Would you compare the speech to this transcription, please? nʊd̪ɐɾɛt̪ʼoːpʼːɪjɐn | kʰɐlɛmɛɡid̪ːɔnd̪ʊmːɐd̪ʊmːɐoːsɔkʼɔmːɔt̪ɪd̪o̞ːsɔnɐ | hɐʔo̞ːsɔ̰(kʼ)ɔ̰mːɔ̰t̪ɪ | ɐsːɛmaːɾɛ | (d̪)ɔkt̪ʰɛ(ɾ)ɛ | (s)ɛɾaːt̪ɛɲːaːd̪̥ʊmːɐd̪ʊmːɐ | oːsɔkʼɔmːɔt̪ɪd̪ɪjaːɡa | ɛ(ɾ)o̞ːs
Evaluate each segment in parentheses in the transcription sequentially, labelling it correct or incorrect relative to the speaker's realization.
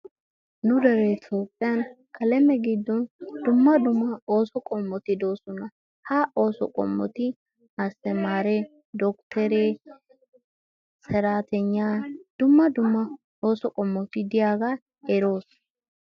correct, correct, correct, correct, correct

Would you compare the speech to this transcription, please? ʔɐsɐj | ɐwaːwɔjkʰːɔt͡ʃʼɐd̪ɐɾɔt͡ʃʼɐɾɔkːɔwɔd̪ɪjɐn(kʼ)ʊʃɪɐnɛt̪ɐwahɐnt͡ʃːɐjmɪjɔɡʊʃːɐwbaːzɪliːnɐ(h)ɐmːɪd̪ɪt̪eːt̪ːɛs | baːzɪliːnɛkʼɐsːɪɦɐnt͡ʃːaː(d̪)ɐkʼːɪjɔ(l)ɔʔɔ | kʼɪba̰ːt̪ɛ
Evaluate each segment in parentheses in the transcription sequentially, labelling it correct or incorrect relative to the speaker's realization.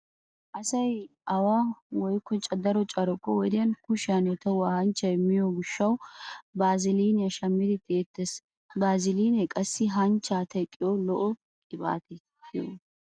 incorrect: k, incorrect: ʃ, incorrect: t̪, correct

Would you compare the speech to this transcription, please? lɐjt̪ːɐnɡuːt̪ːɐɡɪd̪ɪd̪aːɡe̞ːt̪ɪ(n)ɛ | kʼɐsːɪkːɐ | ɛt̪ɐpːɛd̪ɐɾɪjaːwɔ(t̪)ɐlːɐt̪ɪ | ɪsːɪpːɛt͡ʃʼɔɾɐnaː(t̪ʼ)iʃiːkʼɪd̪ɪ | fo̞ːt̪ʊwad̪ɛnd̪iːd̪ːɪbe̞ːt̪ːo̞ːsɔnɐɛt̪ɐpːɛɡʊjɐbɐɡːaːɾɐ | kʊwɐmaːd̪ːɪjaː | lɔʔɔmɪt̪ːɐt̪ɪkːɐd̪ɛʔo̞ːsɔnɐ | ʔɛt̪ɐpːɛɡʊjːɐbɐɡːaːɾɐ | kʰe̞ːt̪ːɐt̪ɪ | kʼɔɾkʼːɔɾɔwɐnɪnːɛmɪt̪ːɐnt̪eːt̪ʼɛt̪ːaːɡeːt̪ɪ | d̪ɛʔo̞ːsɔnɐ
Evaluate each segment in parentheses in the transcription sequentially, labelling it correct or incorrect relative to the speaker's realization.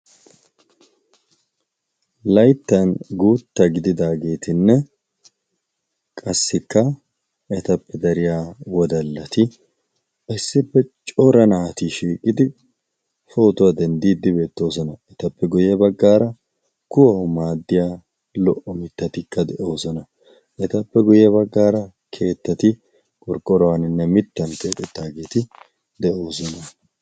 incorrect: nː, incorrect: d̪, incorrect: t̪

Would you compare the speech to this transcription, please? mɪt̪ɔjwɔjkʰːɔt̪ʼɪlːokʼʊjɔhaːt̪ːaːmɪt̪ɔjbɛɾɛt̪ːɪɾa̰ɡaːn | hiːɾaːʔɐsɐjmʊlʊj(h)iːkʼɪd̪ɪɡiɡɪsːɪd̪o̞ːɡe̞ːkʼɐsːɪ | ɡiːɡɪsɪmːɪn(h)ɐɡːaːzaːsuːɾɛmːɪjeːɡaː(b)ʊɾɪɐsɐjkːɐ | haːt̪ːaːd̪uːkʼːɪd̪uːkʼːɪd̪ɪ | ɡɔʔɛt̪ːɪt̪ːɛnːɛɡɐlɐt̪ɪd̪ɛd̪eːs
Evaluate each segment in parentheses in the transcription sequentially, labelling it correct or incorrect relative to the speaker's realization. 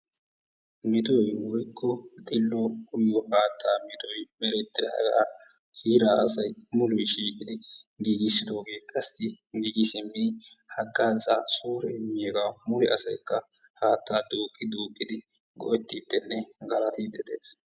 incorrect: ʃ, correct, incorrect: m

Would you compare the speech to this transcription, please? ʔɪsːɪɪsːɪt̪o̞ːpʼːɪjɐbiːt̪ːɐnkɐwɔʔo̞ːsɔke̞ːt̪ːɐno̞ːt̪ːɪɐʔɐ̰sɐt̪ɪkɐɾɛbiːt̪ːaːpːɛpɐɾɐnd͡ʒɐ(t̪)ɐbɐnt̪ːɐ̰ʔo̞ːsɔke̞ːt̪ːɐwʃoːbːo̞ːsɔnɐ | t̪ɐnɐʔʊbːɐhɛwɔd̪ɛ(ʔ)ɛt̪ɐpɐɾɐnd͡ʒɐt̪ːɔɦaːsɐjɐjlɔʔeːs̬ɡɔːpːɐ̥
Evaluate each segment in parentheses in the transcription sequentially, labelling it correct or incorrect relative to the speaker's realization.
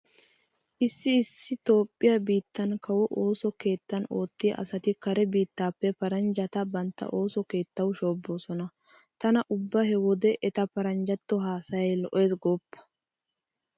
correct, correct

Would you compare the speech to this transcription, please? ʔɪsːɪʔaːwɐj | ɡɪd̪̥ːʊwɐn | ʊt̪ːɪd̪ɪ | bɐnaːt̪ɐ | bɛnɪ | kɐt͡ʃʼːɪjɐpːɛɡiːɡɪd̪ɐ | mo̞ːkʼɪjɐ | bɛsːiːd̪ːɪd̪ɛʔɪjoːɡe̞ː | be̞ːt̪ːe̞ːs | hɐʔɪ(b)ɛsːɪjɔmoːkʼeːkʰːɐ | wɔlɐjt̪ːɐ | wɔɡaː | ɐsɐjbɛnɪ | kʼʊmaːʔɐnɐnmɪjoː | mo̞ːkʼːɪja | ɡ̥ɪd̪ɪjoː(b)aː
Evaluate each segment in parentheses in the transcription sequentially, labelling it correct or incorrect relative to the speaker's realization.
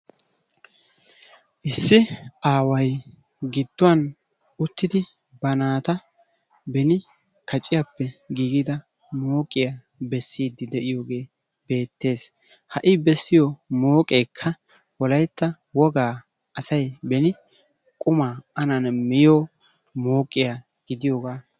correct, incorrect: ɡ

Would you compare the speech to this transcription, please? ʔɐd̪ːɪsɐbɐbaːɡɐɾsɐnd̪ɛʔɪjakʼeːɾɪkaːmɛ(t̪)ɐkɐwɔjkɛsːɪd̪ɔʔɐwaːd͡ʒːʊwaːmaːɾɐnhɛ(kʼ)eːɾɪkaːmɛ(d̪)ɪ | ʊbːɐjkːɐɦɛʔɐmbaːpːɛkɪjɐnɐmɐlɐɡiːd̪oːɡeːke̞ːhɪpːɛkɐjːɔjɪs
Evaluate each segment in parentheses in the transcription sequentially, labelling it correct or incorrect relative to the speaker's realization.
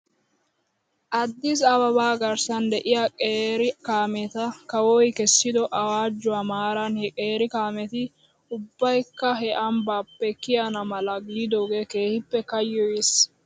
correct, correct, incorrect: t̪

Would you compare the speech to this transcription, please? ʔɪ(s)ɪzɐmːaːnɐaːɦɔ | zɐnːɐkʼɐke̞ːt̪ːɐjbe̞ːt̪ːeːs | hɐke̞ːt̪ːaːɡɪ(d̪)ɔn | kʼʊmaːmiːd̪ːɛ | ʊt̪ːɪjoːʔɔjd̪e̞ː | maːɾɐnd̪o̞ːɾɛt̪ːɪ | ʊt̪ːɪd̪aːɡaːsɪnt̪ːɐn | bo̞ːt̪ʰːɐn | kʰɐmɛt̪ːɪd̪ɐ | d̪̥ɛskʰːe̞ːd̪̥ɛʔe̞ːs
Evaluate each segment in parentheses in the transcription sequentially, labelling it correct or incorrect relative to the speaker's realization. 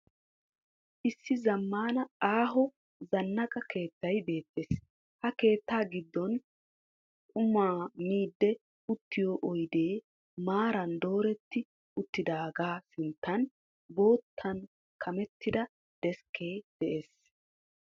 incorrect: sː, incorrect: d̪ː

